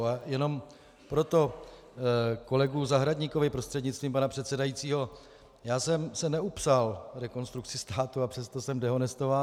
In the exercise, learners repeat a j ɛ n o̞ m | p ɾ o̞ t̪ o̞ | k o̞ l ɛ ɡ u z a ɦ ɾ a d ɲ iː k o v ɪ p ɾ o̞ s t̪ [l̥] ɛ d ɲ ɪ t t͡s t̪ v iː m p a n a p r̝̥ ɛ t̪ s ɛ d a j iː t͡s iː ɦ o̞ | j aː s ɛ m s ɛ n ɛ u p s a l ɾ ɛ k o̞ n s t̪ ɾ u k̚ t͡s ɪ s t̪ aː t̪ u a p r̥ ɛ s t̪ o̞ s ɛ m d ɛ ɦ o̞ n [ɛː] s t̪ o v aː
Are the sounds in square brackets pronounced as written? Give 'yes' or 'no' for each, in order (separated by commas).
no, no